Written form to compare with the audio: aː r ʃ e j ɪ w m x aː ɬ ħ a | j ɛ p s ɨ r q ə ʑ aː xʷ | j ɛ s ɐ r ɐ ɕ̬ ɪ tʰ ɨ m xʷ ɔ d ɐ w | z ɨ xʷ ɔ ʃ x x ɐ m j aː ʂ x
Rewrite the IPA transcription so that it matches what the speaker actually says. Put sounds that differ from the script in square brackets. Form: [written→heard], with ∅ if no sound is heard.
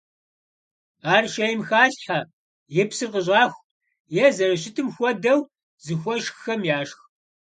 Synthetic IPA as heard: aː r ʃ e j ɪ [w→∅] m x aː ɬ ħ a | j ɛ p s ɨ r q ə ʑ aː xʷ | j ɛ [s→z] ɐ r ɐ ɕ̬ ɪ tʰ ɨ m xʷ ɔ d ɐ w | z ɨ xʷ ɔ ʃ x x ɐ m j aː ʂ x